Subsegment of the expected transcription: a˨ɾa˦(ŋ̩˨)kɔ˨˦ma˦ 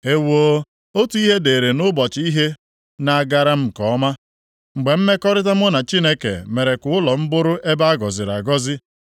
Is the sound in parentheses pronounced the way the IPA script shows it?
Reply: no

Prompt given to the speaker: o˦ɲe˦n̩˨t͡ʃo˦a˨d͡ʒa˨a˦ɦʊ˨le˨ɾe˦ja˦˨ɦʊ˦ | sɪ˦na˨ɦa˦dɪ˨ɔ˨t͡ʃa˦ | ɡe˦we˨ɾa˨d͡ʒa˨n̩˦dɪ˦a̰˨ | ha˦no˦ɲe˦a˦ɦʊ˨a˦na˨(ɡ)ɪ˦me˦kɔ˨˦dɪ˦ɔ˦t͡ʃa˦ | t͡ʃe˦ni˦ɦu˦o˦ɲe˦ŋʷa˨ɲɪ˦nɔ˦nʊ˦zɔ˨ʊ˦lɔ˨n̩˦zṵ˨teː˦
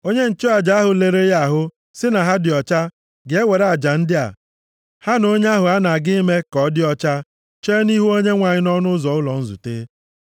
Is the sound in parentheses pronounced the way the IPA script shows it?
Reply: yes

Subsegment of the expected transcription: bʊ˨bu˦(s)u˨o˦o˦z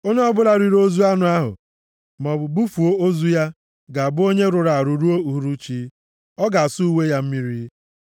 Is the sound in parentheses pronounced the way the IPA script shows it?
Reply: no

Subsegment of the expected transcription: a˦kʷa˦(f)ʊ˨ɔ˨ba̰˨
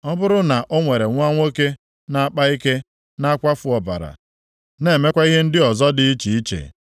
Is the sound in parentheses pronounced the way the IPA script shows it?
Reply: yes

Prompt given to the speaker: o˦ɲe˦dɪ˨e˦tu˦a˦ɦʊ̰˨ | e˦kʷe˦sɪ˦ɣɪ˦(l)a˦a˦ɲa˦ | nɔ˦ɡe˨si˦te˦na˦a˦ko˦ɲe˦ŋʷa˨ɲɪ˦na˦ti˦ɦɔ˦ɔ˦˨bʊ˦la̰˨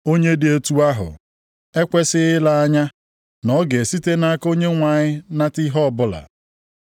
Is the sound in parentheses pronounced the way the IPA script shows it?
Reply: yes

